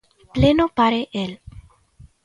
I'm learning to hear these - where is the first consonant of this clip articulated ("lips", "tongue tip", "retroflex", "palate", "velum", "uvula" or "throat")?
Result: lips